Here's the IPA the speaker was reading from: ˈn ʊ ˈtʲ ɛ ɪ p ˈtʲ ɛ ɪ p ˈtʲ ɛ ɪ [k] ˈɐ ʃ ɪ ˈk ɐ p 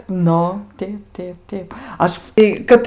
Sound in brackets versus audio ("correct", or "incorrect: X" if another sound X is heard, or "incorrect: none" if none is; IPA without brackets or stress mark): incorrect: p